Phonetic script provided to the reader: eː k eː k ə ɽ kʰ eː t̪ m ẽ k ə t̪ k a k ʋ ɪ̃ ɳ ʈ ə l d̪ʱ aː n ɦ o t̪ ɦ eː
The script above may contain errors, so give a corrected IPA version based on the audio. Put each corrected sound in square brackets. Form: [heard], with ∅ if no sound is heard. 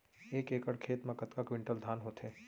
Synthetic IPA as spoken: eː k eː k ə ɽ kʰ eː t̪ m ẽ k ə t̪ k a k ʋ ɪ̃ ɳ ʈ ə l d̪ʱ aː n ɦ o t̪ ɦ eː